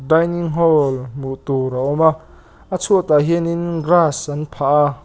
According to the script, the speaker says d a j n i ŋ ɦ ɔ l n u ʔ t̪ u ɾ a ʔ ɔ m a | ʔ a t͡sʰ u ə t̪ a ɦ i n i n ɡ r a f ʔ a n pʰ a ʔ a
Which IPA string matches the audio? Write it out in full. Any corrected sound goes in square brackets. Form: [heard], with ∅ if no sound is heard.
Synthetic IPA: d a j n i ŋ ɦ ɔ l [m] u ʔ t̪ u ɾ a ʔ ɔ m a | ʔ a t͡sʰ u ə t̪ a ɦ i n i n ɡ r a [s] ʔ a n pʰ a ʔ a